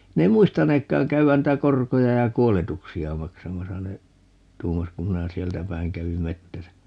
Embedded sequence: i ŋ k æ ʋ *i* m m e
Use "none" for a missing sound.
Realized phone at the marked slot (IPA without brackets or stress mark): i